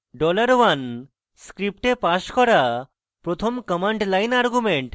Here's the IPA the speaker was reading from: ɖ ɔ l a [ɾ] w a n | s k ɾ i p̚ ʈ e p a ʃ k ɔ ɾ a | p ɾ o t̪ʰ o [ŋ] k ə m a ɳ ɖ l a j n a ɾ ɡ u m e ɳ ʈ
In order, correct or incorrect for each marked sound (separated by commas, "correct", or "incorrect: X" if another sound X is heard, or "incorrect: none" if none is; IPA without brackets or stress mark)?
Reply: correct, incorrect: m